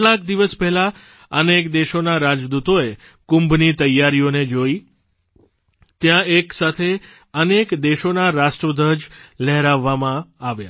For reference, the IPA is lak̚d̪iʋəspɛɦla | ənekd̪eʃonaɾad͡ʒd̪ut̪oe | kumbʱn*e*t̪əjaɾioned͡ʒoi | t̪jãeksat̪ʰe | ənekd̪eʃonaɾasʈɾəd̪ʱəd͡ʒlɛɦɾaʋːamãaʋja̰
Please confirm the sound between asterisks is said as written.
no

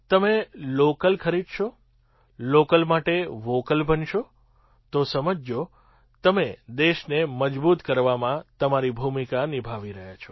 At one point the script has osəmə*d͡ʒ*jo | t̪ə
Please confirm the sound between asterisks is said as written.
yes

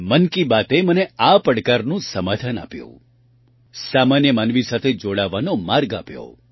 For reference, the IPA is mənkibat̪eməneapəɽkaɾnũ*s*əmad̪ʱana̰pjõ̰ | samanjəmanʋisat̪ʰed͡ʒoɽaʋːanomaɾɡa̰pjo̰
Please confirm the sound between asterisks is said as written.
yes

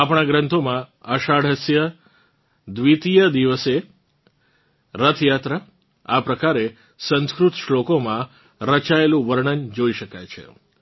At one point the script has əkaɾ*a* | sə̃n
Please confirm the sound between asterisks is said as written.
no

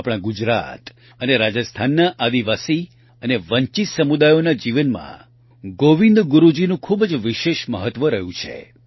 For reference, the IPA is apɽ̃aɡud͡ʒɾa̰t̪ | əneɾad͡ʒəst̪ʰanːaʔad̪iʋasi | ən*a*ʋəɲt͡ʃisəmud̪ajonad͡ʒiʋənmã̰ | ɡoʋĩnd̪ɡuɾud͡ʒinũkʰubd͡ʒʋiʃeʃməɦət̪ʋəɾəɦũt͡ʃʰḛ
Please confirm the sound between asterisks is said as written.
no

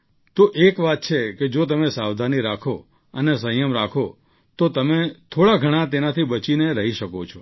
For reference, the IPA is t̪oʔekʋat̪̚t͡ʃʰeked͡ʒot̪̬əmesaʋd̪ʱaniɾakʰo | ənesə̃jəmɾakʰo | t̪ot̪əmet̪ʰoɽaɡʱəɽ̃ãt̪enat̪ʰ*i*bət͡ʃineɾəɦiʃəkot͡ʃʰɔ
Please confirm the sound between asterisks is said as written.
yes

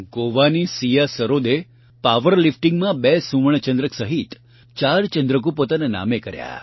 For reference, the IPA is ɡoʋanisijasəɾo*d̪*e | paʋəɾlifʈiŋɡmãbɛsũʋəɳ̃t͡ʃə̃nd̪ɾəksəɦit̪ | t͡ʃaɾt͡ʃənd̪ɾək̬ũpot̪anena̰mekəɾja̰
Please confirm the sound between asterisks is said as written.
yes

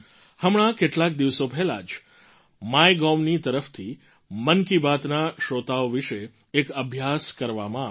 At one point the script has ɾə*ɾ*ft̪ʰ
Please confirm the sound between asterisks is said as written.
no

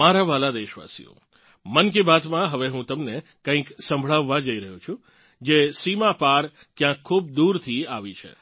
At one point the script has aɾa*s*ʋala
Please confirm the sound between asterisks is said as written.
no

